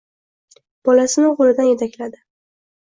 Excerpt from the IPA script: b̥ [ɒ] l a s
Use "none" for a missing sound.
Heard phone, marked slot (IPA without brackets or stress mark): ɒ